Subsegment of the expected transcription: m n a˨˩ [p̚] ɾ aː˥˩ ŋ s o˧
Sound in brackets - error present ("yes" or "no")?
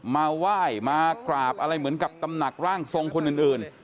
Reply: yes